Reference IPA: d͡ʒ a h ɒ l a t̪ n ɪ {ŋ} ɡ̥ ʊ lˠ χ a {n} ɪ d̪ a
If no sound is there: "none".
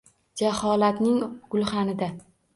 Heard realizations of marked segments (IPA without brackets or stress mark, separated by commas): ŋ, n